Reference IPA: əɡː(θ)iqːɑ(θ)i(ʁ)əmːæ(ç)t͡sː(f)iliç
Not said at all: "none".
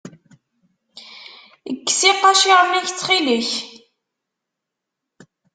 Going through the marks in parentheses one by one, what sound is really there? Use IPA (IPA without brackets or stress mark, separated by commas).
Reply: s, ʃ, ʁ, ç, χ